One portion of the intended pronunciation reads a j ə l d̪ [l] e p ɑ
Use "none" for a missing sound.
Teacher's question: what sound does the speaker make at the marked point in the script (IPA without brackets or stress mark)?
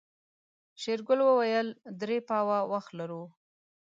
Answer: ɾ